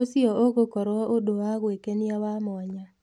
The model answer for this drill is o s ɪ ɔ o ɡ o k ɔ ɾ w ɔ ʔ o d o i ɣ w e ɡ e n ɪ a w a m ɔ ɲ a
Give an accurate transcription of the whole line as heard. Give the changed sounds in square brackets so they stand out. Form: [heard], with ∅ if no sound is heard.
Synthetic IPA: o s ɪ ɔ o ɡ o k ɔ ɾ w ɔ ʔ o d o [a] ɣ w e [k] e n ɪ a w a m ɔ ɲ a